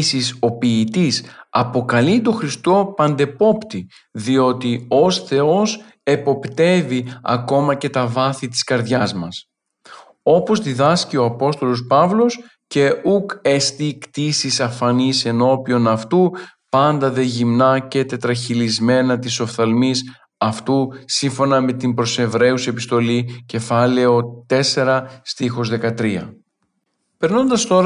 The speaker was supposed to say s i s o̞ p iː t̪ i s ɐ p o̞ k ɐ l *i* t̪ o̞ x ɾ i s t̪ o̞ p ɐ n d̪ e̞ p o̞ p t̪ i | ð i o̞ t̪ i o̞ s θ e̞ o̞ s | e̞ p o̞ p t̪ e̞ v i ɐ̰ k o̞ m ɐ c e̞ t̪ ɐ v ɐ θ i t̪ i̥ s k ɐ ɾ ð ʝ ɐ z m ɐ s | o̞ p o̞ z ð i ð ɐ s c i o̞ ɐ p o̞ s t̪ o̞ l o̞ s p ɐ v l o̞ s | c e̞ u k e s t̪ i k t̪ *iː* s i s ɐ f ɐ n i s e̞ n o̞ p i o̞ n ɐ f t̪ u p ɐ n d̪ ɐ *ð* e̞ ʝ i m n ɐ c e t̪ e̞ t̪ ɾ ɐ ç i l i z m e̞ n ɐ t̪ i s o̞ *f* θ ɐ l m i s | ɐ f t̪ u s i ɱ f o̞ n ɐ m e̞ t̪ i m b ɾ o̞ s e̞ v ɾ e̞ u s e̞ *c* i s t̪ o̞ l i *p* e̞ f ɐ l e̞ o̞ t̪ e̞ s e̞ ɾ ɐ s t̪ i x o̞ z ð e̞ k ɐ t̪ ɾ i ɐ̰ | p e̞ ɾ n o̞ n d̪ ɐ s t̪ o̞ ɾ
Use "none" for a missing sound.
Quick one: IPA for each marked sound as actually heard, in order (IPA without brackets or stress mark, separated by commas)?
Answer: i, i, ð, f, p, c